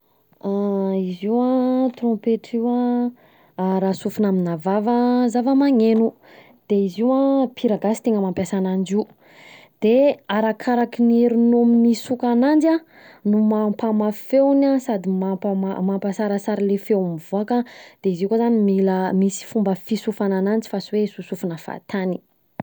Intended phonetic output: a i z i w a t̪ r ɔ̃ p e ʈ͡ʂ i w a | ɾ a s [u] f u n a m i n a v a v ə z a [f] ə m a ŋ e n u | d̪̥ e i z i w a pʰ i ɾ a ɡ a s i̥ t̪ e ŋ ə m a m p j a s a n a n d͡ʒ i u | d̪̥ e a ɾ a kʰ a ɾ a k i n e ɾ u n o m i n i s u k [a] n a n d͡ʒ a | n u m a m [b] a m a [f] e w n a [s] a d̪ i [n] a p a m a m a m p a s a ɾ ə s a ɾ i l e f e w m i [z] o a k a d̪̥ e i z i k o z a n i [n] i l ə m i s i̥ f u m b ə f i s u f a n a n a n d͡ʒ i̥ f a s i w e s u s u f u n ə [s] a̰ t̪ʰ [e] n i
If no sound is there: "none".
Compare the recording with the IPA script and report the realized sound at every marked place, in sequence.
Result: u, v, a, p, f, s, m, v, m, f, a

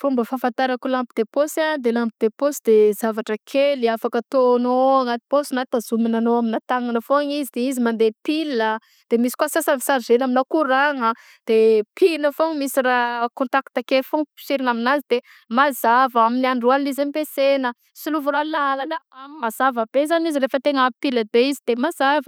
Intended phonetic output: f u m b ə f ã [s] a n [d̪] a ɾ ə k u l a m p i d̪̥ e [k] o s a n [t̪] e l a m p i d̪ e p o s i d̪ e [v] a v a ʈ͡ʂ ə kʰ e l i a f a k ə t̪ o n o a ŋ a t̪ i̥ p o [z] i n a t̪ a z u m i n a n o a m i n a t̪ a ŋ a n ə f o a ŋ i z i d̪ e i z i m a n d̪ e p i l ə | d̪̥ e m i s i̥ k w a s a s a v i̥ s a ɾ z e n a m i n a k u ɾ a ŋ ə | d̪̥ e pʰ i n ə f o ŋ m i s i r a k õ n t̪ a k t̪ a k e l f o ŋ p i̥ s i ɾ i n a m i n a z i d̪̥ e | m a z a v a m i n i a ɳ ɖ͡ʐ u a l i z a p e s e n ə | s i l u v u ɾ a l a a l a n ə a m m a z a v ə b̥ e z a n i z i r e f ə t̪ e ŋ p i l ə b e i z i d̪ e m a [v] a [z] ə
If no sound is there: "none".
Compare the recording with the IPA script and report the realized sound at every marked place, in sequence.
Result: f, t̪, p, d̪, z, s, z, v

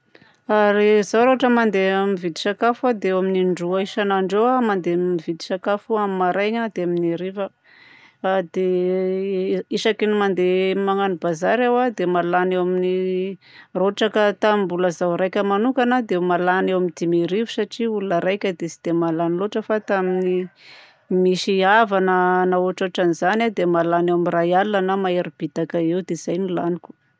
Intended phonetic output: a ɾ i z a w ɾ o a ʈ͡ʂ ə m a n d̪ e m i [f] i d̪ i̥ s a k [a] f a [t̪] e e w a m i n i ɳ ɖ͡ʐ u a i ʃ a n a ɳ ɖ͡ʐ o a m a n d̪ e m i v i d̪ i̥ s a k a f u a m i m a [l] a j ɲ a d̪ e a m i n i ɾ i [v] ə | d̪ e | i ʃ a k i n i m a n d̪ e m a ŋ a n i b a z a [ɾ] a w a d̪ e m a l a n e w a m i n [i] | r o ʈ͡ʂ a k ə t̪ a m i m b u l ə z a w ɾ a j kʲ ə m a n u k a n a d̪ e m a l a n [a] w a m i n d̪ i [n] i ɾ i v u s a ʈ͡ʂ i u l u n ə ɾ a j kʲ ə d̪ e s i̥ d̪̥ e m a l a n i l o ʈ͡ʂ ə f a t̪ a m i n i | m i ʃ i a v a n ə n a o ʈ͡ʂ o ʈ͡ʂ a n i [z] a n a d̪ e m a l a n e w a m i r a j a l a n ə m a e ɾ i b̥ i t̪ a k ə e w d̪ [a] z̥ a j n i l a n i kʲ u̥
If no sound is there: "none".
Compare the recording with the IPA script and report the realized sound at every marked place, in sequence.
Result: v, a, d̪, ɾ, v, ɾ, i, e, m, z, e

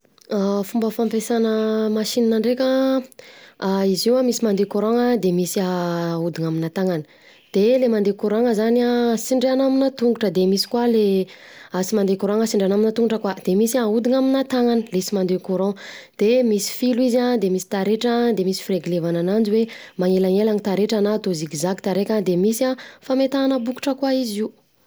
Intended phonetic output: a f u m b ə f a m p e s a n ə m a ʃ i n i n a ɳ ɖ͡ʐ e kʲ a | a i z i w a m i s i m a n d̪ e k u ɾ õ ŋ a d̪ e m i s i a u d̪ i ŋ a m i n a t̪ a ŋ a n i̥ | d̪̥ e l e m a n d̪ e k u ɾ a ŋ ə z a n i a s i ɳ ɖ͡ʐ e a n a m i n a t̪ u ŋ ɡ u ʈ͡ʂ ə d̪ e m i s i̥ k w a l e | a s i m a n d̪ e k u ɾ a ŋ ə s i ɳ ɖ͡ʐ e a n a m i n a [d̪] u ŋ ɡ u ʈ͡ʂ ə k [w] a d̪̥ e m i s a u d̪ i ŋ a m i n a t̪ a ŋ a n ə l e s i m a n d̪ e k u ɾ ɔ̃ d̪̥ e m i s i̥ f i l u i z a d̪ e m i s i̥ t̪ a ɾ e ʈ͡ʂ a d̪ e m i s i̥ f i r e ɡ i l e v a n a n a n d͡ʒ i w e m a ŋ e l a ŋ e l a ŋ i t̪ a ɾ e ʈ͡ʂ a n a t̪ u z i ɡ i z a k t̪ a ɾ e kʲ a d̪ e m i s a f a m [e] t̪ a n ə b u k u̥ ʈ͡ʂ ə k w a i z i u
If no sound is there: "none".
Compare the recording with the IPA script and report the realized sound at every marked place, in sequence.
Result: t̪, w, e

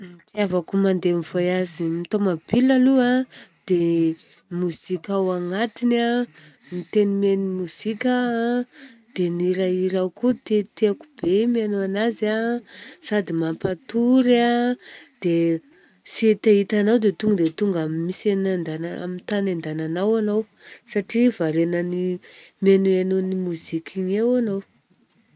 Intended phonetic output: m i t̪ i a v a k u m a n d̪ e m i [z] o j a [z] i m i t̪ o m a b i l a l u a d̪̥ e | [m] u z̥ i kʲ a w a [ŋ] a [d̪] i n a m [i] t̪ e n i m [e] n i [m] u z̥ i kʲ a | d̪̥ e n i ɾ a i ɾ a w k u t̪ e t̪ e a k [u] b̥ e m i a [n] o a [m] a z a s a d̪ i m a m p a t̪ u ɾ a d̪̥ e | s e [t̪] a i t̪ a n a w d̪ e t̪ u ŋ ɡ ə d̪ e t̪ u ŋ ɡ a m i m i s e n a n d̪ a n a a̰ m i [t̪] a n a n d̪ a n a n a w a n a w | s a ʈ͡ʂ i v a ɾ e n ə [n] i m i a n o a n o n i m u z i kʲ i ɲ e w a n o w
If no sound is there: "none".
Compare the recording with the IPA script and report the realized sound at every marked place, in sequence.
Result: v, z, m, ŋ, t̪, i, e, m, u, n, n, t̪, t̪, n

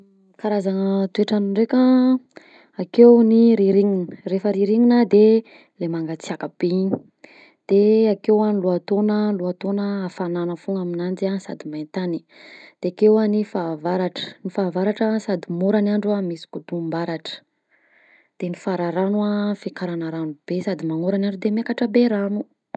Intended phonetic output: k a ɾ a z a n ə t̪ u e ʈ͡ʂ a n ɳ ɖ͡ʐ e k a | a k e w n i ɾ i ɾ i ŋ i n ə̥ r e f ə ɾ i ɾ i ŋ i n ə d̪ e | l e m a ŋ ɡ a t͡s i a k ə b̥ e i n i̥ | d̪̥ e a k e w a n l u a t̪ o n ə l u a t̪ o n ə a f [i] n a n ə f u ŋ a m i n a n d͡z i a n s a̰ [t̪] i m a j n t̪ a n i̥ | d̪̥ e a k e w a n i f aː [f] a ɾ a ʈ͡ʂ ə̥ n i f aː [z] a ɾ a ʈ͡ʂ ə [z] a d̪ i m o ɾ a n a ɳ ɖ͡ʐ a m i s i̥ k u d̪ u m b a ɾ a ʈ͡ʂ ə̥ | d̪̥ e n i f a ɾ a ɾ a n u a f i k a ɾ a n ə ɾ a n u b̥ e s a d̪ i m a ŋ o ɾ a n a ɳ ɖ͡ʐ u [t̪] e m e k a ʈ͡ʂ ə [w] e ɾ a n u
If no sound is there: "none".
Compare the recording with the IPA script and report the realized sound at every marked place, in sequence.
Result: a, d̪, v, v, s, d̪, b

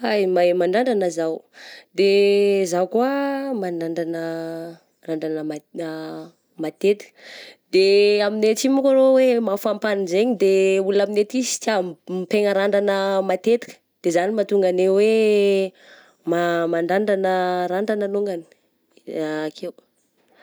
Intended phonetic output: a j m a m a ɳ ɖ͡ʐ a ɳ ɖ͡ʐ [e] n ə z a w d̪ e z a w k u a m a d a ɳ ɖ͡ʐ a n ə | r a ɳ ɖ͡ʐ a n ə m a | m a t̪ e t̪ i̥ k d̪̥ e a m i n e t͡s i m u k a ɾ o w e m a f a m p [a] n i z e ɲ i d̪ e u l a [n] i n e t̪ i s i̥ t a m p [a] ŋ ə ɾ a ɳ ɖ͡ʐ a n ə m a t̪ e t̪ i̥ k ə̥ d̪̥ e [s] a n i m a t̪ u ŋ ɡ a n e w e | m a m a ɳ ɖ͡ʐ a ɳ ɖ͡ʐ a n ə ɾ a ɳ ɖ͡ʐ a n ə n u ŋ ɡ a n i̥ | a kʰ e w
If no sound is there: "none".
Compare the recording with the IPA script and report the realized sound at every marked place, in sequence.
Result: a, a, m, e, z

